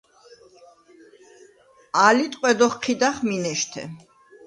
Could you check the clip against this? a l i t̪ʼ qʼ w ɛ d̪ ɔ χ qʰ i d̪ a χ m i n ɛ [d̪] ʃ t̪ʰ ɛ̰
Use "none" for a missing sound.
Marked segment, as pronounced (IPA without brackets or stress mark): none